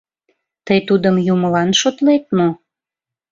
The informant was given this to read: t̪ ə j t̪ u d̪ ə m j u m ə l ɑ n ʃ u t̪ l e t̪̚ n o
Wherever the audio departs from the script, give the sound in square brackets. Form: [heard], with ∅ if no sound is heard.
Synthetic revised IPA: t̪ ə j t̪ u d̪ ə m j u m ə l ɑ n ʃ [o] t̪ l e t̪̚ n o